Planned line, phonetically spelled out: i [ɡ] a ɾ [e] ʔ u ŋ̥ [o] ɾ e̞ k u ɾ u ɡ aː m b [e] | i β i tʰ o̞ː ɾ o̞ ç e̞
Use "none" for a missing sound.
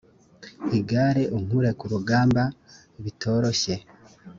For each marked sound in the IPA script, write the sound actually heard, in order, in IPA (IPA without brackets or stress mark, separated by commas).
ɡ, e, u, a